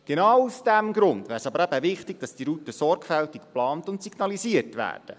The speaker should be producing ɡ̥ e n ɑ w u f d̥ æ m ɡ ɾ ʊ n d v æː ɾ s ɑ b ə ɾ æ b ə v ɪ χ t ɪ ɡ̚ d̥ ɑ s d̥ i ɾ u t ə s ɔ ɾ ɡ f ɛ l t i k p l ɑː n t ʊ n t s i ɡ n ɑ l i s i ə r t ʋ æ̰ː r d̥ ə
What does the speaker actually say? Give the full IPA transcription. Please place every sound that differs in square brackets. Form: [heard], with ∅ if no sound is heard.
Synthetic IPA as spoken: ɡ̥ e n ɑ w u [s] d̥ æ m ɡ ɾ ʊ n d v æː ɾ s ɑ b ə ɾ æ b ə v ɪ χ t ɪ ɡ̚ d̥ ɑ s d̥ i ɾ u t ə s ɔ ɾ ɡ f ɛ l t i k p l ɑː n t ʊ n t s i ɡ n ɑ l i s i ə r t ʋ æ̰ː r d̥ ə